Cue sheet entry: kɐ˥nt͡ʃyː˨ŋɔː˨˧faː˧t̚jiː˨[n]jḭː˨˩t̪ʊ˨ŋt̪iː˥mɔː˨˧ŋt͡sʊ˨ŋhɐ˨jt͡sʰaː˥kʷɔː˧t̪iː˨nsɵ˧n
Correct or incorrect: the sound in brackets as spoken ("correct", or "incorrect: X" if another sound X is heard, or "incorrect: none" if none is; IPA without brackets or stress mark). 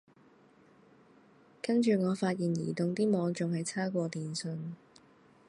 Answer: correct